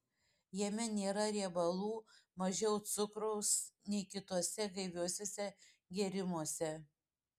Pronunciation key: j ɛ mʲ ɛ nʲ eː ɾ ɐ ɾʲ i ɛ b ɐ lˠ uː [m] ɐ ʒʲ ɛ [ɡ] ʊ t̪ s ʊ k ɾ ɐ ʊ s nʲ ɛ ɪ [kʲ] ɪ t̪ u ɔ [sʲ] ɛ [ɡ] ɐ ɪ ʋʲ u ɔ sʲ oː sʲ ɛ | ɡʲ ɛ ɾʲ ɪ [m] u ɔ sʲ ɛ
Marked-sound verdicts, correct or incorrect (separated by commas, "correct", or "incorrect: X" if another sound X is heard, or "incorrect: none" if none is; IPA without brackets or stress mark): correct, incorrect: none, correct, correct, correct, correct